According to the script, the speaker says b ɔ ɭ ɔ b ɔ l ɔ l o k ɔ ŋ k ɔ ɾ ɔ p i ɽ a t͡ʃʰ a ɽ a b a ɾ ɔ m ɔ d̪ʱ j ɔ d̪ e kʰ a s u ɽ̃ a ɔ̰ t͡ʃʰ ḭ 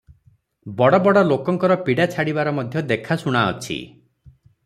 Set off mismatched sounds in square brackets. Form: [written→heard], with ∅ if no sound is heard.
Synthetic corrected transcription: b ɔ [ɭ→ɽ] ɔ b ɔ [l→ɽ] ɔ l o k ɔ ŋ k ɔ ɾ ɔ p i ɽ a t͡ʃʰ a ɽ [a→i] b a ɾ ɔ m ɔ d̪ʱ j ɔ d̪ e kʰ a s u ɽ̃ a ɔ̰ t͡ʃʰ ḭ